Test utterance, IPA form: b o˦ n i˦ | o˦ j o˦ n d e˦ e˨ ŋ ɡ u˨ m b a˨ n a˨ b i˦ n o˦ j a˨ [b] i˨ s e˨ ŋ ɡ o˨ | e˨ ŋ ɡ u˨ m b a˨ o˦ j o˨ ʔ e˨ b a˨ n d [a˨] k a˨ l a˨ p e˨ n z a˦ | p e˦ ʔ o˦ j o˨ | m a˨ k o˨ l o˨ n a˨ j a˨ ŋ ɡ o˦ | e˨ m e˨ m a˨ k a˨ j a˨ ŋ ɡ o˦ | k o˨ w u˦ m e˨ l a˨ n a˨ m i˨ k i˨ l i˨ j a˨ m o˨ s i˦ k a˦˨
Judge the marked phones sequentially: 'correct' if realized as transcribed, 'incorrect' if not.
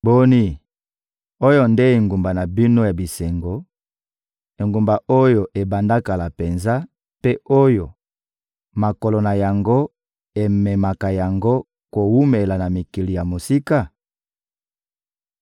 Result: correct, incorrect

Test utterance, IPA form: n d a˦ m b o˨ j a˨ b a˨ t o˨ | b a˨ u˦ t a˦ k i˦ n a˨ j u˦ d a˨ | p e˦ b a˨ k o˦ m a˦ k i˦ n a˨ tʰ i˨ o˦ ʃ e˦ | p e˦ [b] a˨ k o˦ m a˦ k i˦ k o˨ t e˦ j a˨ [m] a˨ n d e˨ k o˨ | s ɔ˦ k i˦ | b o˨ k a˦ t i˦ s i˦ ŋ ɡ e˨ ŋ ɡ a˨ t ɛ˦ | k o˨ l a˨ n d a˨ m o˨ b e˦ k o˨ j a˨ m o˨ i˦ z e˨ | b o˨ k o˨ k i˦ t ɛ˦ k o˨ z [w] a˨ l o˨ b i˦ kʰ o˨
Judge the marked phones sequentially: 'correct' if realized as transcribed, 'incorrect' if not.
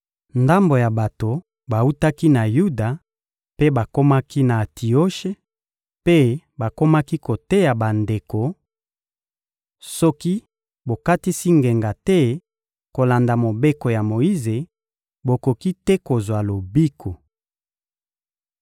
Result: correct, incorrect, correct

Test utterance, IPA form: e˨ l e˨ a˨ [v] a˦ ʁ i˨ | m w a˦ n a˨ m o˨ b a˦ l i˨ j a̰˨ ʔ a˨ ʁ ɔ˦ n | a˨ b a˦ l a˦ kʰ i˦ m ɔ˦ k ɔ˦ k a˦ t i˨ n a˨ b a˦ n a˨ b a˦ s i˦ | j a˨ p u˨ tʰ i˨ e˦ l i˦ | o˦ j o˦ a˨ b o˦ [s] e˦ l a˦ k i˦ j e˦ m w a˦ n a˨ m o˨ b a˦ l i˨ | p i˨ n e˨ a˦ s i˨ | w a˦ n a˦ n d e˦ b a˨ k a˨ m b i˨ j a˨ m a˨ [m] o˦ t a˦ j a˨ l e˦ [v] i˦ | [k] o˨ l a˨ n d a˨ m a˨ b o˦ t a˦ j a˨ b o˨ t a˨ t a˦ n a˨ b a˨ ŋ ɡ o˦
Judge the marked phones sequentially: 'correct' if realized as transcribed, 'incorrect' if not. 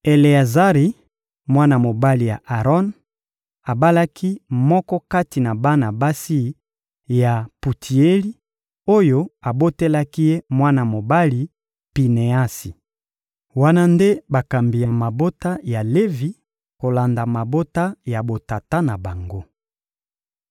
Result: incorrect, incorrect, incorrect, correct, correct

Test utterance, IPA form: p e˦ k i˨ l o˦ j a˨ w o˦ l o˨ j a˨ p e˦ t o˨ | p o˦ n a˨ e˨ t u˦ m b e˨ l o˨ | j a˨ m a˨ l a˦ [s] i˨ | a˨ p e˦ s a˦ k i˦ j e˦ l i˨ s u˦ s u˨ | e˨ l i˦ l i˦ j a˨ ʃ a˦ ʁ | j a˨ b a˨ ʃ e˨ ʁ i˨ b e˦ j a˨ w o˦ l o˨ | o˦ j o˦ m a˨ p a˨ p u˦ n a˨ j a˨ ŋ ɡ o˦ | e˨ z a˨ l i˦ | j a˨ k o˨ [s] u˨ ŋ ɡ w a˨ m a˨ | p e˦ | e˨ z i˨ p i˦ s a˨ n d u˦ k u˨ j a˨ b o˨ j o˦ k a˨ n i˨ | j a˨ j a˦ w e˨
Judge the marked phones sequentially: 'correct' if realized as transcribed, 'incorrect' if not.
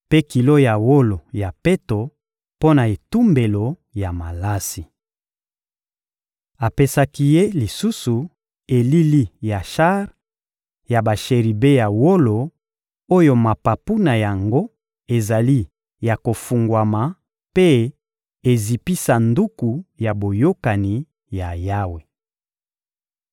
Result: correct, incorrect

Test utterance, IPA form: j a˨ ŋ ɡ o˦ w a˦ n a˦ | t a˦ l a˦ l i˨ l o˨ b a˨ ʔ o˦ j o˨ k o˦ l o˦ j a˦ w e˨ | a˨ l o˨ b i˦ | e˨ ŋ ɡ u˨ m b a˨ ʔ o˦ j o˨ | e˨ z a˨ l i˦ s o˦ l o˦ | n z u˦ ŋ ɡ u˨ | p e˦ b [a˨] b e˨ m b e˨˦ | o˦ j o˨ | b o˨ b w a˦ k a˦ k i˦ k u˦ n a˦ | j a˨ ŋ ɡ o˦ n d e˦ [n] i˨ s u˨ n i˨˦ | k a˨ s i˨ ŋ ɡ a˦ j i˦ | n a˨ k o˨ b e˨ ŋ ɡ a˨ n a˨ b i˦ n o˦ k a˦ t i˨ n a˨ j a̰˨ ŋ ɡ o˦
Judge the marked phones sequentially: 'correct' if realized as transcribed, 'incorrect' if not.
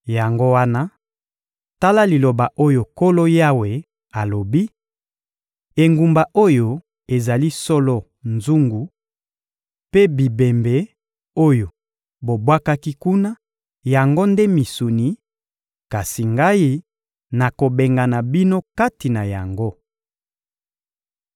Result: incorrect, incorrect

